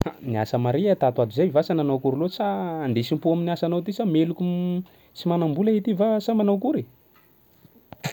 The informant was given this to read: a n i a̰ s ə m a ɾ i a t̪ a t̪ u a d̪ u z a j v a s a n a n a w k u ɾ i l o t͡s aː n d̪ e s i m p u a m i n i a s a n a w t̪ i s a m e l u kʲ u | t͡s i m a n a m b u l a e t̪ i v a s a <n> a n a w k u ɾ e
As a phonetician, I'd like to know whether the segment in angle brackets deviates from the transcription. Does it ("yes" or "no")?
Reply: yes